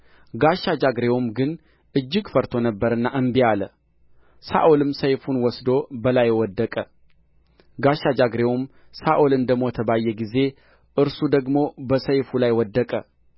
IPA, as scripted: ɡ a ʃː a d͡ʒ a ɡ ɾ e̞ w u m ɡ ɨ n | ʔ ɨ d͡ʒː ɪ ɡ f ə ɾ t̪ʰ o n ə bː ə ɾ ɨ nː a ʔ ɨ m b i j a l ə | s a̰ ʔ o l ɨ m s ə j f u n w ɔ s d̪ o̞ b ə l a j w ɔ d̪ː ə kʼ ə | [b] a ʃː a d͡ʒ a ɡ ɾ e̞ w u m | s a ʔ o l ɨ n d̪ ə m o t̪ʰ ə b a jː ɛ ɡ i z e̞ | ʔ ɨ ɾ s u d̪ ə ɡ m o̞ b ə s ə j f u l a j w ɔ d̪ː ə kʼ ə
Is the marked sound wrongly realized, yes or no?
yes